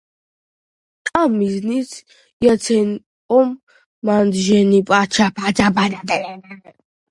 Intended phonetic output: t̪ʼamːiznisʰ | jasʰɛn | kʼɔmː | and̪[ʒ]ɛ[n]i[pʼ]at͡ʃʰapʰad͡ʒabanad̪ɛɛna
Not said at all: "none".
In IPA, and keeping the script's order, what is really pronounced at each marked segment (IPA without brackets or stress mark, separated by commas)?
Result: ʒ, n, pʼ